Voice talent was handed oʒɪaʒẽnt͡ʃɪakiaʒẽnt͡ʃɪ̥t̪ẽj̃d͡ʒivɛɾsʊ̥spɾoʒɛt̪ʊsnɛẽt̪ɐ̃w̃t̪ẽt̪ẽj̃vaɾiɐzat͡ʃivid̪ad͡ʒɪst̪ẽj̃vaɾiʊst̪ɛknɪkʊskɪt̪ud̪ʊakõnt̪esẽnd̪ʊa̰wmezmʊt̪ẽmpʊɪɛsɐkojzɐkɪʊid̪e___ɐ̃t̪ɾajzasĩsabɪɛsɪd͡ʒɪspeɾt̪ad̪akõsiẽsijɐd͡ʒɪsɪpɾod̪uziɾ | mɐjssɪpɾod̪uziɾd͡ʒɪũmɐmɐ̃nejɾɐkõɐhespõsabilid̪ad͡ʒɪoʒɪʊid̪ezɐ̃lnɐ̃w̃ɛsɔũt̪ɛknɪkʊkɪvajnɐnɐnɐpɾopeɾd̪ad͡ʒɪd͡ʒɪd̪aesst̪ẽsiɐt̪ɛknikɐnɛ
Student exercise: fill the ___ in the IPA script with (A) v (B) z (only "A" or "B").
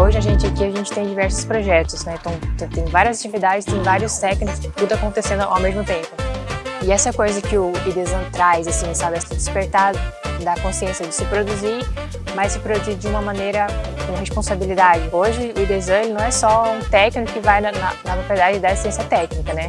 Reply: B